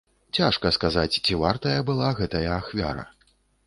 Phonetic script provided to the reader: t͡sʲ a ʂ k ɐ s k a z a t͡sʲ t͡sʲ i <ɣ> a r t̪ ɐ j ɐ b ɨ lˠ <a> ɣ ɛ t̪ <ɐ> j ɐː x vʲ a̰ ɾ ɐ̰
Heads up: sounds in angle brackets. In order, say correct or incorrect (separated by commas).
incorrect, correct, correct